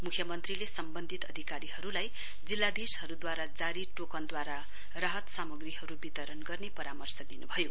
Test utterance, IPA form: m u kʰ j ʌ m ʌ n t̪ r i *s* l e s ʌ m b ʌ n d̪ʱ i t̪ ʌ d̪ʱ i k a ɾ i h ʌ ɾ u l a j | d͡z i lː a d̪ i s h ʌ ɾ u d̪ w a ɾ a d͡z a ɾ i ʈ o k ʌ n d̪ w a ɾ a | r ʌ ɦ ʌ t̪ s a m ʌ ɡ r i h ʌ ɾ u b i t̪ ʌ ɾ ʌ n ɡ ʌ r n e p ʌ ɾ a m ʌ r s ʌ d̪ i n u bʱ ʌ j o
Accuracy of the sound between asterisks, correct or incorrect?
incorrect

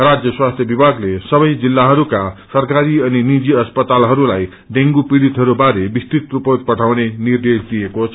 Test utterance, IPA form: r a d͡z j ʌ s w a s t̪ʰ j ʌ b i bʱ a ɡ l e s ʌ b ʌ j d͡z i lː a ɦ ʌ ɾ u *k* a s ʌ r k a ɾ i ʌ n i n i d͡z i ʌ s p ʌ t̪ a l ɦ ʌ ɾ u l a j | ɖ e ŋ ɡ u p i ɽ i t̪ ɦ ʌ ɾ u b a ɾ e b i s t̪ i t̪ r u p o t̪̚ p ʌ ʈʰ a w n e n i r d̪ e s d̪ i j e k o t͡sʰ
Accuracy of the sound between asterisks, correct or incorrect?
correct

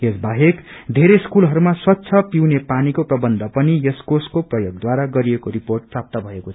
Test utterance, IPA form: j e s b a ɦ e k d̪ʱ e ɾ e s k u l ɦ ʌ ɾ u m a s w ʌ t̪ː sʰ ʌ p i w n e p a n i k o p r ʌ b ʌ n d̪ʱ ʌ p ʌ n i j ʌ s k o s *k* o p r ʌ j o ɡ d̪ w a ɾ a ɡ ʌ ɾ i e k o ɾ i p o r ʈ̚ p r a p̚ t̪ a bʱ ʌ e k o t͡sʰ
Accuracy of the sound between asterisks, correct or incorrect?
correct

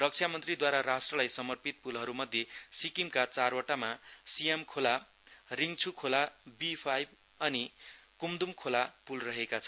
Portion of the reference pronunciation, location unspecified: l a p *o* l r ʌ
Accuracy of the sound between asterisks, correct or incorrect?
incorrect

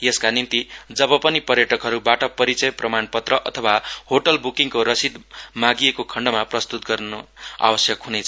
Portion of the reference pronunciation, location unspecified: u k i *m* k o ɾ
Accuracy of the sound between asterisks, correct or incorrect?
incorrect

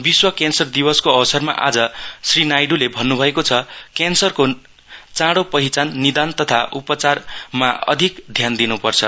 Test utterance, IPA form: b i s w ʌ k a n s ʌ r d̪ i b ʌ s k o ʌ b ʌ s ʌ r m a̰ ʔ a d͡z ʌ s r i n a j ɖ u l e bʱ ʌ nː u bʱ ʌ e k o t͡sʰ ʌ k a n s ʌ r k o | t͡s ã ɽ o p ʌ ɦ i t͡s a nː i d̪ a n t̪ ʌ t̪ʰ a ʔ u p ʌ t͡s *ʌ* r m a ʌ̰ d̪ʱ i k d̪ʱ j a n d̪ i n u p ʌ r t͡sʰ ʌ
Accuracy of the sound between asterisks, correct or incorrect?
incorrect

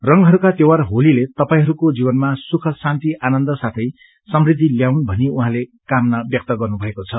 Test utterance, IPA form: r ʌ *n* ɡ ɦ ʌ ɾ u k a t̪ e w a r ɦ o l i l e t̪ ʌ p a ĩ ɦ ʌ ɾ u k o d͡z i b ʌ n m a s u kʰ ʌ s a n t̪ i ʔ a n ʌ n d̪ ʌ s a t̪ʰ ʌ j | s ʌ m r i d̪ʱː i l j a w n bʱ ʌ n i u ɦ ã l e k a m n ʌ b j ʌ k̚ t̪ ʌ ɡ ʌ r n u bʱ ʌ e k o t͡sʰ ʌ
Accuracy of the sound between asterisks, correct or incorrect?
incorrect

